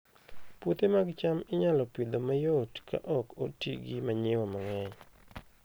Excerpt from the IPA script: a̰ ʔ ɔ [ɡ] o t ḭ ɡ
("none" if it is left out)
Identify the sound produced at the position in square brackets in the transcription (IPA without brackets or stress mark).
k